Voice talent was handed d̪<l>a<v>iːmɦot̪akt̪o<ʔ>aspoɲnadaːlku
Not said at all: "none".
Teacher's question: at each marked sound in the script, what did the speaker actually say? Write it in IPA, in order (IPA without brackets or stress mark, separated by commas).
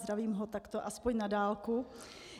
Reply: ɾ, v, ʔ